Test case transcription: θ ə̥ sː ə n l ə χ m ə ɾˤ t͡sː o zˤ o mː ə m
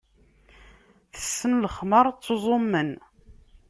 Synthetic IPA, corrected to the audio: θ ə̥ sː ə n l ə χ m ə ɾˤ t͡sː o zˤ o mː ə n